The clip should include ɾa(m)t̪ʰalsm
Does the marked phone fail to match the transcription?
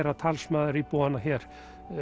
yes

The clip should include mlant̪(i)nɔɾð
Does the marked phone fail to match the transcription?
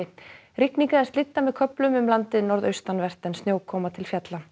yes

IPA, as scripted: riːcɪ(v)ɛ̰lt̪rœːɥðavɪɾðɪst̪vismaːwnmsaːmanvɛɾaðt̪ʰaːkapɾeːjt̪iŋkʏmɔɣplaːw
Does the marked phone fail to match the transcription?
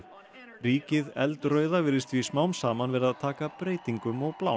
yes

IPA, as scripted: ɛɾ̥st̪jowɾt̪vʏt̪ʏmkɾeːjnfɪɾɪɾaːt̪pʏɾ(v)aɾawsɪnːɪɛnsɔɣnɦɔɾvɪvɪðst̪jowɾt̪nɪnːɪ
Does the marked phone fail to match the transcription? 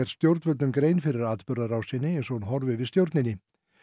yes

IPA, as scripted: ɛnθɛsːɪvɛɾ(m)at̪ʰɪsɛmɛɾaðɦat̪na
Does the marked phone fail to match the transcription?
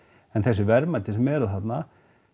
no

